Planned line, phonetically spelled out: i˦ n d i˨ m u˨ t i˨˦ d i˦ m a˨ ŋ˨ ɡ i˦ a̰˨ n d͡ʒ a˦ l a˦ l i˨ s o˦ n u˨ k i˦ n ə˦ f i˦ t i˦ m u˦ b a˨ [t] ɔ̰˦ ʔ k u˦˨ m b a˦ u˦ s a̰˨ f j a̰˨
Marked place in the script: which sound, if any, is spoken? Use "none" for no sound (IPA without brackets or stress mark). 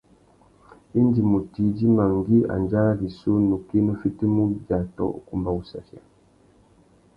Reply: t